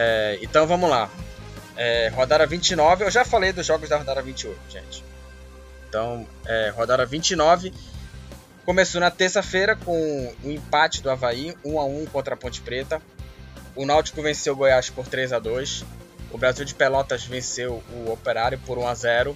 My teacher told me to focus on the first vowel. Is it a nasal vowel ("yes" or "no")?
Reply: no